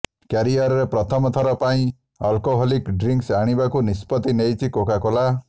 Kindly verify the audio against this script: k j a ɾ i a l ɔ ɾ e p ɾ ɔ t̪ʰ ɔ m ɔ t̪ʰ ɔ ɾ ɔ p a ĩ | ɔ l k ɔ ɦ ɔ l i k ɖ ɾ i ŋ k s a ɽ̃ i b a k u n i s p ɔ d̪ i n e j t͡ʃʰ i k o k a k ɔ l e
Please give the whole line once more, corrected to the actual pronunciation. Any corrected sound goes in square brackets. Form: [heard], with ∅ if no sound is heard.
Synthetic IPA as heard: k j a ɾ i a [ɾ] ɔ ɾ e p ɾ ɔ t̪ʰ ɔ m ɔ t̪ʰ ɔ ɾ ɔ p a ĩ | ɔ l k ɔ ɦ ɔ l i k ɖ ɾ i ŋ k s a ɽ̃ i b a k u n i s p ɔ [t̪] i n e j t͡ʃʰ i k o k a k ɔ l [a]